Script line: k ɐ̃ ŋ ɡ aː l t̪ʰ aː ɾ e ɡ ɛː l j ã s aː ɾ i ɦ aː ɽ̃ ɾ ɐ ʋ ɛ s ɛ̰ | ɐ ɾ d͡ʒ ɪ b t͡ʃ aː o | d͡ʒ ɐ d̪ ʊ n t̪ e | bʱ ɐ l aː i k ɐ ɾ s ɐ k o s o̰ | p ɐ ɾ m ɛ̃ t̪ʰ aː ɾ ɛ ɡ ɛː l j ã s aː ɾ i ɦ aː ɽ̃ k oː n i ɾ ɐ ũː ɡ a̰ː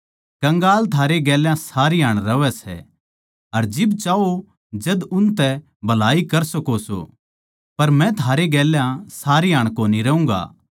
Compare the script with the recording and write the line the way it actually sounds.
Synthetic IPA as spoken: k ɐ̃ ŋ ɡ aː l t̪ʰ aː ɾ e ɡ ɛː l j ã s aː ɾ i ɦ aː ɽ̃ ɾ ɐ ʋ ɛ s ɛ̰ | ɐ ɾ d͡ʒ ɪ b t͡ʃ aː o | d͡ʒ ɐ d̪ ʊ n t̪ ɛ | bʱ ɐ l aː i k ɐ ɾ s ɐ k o s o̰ | p ɐ ɾ m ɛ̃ t̪ʰ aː ɾ e ɡ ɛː l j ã s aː ɾ i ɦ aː ɽ̃ k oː n i ɾ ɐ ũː ɡ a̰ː

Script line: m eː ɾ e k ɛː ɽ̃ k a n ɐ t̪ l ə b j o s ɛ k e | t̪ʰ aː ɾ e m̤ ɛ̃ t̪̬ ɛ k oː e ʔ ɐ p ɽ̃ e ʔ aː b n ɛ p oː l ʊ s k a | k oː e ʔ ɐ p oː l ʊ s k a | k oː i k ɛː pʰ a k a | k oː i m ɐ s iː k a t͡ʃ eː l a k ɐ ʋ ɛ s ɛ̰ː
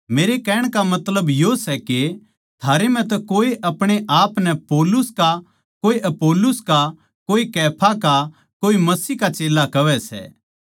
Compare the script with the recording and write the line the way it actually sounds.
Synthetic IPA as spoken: m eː ɾ e k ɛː ɽ̃ k a m ɐ t̪ l ə b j o s ɛ k e | t̪ʰ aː ɾ e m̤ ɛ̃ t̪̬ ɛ k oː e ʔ ɐ p ɽ̃ e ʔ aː p n ɛ p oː l ʊ s k a | k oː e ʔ ɐ p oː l ʊ s k a | k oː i k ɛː pʰ a k a | k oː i m ɐ s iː k a t͡ʃ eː l a k ɐ ʋ ɛ s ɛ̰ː

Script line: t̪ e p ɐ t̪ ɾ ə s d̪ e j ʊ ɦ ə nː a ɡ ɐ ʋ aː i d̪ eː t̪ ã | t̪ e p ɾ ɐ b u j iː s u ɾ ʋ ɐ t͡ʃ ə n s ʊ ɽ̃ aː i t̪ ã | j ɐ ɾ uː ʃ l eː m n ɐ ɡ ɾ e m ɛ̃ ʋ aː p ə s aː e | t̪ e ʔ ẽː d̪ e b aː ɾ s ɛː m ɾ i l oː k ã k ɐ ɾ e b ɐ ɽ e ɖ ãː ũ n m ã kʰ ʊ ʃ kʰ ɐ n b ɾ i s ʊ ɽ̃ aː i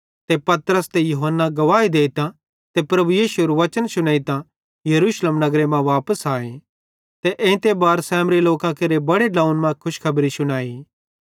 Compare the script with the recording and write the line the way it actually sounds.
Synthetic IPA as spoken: t̪ e p ɐ t̪ ɾ ə s t̪ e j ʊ ɦ ə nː a ɡ ɐ ʋ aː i d̪ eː t̪ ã | t̪ e p ɾ ɐ b u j iː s u ɾ ʋ ɐ t͡ʃ ə n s ʊ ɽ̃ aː i t̪ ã | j ɐ ɾ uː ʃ l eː m n ɐ ɡ ɾ e m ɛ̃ ʋ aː p ə s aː e | t̪ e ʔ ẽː t̪ e b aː ɾ s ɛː m ɾ i l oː k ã k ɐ ɾ e b ɐ ɽ e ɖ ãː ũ n m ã kʰ ʊ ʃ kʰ ɐ b ɾ i s ʊ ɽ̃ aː i

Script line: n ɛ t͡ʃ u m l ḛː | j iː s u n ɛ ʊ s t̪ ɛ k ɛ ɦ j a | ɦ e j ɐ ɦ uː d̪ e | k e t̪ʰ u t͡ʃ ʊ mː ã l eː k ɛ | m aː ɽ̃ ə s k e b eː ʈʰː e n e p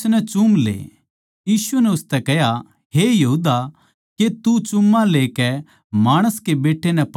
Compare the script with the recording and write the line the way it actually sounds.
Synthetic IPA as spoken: n ɛ t͡ʃ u m l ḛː | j iː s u n ɛ ʊ s t̪ ɛ k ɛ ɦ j a | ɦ e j ɐ ɦ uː d̪ a | k e t̪ u t͡ʃ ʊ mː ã l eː k ɛ | m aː ɽ̃ ə s k e b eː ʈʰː e n ɛ p

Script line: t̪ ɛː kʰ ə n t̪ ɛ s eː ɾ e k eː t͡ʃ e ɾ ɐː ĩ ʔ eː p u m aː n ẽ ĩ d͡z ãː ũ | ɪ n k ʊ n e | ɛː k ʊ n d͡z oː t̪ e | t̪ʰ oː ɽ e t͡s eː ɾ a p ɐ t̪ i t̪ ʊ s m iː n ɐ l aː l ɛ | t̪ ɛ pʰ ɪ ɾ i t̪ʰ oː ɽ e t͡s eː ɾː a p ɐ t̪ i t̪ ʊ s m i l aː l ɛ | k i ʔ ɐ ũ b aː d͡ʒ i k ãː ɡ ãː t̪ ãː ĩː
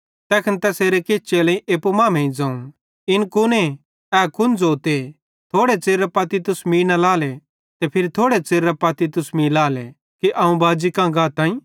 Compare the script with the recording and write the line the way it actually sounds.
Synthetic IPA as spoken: t̪ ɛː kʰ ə n t̪ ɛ s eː ɾ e k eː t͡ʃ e l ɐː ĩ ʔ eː p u m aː m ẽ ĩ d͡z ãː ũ | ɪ n k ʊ n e | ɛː k ʊ n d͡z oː t̪ e | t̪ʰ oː ɽ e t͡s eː ɾ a p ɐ t̪ i t̪ ʊ s m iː n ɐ l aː l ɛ | t̪ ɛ pʰ ɪ ɾ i t̪ʰ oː ɽ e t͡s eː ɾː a p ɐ t̪ i t̪ ʊ s m i l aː l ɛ | k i ʔ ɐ ũ b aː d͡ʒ i k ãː ɡ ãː t̪ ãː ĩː

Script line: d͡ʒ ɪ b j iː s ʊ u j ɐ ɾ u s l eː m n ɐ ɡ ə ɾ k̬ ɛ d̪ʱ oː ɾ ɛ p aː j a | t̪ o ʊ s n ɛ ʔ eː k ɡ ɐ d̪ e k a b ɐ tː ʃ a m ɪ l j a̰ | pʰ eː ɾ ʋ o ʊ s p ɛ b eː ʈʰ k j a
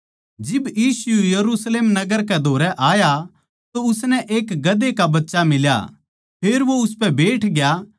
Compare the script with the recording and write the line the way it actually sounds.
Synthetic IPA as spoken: d͡ʒ ɪ b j iː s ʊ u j ɐ ɾ u s l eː m n ɐ ɡ ə ɾ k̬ ɛ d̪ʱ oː ɾ ɛ ʔ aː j a | t̪ o ʊ s n ɛ ʔ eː k ɡ ɐ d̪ e k a b ɐ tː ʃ a m ɪ l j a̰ | pʰ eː ɾ ʋ o ʊ s p ɛ b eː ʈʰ ɡ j a

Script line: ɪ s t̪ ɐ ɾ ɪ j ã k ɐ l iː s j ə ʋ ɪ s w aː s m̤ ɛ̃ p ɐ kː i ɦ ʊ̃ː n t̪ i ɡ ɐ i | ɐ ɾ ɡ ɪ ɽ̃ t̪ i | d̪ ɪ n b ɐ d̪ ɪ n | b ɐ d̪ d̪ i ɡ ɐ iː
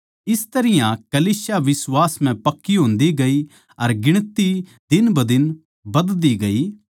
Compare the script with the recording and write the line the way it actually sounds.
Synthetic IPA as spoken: ɪ s t̪ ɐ ɾ ɪ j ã k ɐ l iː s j a ʋ ɪ s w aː s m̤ ɛ̃ p ɐ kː i ɦ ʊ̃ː n d̪ i ɡ ɐ i | ɐ ɾ ɡ ɪ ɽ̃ t̪ i | d̪ ɪ n b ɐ d̪ ɪ n | b ɐ d̪ d̪ i ɡ ɐ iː

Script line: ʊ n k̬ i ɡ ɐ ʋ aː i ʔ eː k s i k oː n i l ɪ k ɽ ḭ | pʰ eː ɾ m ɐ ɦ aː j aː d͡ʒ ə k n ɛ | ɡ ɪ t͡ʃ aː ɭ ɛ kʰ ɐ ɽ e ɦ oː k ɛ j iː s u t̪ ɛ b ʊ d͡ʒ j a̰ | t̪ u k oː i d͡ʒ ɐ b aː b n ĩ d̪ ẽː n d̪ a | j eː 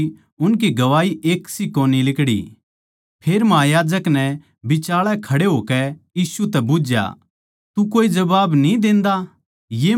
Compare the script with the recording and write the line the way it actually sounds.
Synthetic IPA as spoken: ʊ n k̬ i ɡ ɐ ʋ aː i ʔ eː k s i k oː n i l ɪ k ɽ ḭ | pʰ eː ɾ m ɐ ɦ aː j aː d͡ʒ ə k n ɛ | b ɪ t͡ʃ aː ɭ ɛ kʰ ɐ ɽ e ɦ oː k ɛ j iː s u t̪ ɛ b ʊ d͡ʒ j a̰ | t̪ u k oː i d͡ʒ ɐ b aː b n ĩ d̪ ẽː n d̪ a | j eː

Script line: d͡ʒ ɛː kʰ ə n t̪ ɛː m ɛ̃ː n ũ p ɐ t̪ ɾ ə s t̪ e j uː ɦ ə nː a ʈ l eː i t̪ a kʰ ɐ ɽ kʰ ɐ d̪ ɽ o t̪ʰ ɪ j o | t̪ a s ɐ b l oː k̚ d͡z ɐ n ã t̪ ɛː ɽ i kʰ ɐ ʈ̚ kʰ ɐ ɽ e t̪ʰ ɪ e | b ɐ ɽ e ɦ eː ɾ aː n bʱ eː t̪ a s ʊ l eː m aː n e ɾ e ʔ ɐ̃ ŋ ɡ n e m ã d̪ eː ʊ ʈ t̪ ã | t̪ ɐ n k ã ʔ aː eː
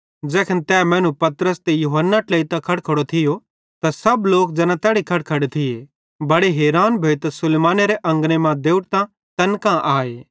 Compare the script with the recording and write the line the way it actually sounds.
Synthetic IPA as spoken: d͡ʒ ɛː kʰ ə n t̪ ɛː m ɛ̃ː n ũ p ɐ t̪ ɾ ə s t̪ e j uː ɦ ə nː a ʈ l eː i t̪ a kʰ ɐ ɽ kʰ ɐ ɽ o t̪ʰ ɪ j o | t̪ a s ɐ b l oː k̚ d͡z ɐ n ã t̪ ɛː ɽ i kʰ ɐ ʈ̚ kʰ ɐ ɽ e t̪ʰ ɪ e | b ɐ ɽ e ɦ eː ɾ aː n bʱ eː t̪ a s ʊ l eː m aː n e ɾ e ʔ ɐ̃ ŋ ɡ n e m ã d̪ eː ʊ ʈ t̪ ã | t̪ ɐ n k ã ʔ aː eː

